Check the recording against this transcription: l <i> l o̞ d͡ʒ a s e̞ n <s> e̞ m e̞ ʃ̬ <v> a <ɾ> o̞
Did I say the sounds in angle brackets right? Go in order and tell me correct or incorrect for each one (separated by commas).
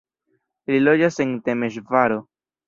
correct, incorrect, correct, correct